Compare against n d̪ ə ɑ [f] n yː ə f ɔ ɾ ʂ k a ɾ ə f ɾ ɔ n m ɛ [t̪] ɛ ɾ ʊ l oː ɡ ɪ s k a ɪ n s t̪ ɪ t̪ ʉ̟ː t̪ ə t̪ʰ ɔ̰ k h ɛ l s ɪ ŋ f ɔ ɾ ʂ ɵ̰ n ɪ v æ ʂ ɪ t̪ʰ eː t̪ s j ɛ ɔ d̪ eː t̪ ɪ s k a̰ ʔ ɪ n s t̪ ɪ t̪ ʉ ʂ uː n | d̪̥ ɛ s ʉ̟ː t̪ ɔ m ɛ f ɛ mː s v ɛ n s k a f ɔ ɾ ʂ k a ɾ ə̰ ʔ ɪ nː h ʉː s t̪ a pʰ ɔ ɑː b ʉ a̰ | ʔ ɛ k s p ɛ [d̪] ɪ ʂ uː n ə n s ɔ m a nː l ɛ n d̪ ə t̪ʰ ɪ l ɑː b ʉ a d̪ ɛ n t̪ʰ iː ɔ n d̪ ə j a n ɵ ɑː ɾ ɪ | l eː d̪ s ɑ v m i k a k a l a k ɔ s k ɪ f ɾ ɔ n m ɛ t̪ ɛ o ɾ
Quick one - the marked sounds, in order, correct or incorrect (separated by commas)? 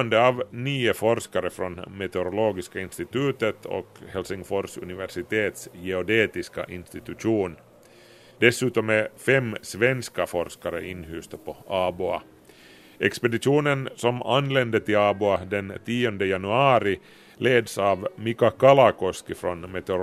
incorrect, correct, correct